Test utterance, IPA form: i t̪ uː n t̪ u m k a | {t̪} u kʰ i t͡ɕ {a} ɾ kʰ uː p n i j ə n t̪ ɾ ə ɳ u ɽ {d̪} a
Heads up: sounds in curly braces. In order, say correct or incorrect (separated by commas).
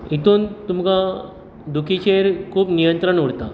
incorrect, incorrect, incorrect